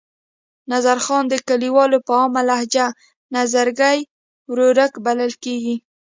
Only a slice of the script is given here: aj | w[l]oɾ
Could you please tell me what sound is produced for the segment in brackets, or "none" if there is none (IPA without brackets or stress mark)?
ɾ